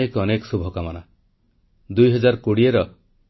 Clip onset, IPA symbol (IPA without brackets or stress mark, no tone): e